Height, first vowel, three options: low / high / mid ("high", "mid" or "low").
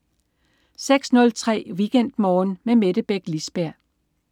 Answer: mid